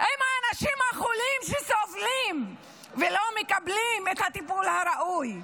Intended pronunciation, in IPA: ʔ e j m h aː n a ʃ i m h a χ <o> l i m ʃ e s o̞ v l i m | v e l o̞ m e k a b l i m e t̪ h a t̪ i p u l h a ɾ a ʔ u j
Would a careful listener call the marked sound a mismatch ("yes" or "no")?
yes